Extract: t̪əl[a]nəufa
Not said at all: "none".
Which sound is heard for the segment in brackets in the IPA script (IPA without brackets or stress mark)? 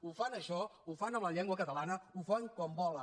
a